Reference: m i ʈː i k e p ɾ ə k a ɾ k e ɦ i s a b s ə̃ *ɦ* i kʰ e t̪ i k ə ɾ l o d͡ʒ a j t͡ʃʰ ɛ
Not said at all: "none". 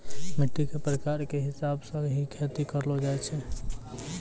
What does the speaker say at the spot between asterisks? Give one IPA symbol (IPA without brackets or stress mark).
ɦ